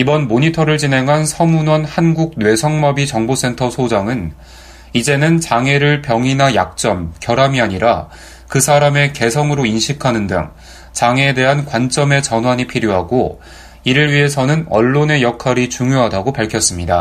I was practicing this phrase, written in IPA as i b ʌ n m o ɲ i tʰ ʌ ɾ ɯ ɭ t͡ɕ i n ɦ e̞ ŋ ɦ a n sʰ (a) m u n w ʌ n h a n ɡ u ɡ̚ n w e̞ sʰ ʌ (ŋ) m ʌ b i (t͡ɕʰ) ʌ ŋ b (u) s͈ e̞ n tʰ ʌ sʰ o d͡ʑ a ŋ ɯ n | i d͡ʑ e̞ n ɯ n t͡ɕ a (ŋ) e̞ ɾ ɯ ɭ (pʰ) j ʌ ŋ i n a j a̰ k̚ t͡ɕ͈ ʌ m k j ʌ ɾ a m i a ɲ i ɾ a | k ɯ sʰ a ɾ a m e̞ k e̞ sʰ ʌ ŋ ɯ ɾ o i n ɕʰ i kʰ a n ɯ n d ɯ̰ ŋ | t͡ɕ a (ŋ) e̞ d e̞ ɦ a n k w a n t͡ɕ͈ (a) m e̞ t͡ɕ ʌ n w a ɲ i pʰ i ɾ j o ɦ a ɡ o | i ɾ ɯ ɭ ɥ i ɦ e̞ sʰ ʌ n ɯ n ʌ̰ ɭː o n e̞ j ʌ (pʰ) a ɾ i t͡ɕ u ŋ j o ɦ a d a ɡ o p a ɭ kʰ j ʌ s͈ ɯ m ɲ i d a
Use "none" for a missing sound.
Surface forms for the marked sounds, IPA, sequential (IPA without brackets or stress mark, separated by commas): ʌ, ŋ, t͡ɕ, o, ŋ, p, ŋ, ʌ, kʰ